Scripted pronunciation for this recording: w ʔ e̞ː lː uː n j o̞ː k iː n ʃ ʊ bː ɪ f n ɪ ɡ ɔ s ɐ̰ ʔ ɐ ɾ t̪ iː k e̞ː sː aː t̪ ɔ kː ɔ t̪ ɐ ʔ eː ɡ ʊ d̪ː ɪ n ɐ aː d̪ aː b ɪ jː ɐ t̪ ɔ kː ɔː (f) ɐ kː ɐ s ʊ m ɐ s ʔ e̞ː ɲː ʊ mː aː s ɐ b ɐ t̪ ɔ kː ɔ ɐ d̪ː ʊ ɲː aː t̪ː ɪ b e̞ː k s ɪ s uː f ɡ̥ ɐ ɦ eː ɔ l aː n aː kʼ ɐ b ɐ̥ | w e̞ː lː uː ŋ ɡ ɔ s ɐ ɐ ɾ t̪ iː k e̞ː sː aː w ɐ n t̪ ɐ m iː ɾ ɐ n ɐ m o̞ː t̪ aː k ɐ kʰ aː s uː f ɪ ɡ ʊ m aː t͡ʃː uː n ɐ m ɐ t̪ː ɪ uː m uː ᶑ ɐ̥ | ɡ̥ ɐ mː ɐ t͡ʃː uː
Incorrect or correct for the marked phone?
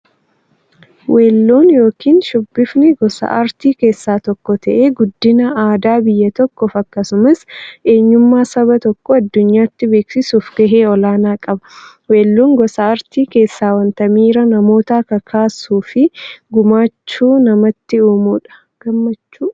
correct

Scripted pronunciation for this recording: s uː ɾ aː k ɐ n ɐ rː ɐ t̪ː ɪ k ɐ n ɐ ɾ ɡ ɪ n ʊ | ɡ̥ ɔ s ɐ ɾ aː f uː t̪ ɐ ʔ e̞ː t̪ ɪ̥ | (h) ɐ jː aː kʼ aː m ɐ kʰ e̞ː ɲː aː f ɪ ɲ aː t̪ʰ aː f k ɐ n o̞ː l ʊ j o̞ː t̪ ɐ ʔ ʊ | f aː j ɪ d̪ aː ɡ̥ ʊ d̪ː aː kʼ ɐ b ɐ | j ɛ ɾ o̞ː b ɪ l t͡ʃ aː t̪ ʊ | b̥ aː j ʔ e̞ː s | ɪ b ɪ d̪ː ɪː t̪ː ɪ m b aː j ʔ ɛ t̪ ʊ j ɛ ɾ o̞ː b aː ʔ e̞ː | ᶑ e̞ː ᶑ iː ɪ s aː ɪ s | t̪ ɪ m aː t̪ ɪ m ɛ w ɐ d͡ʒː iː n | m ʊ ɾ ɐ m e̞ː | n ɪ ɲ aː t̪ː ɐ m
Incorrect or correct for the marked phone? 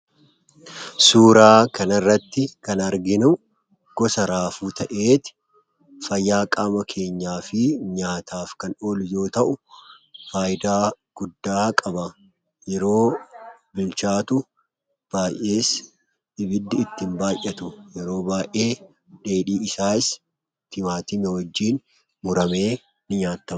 incorrect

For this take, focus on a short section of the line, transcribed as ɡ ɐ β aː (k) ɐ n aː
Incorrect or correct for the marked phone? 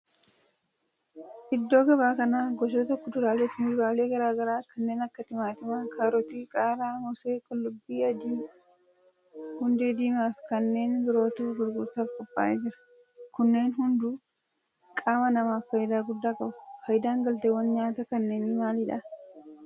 correct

